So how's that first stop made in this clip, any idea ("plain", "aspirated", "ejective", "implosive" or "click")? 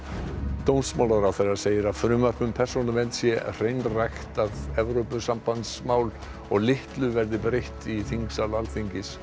plain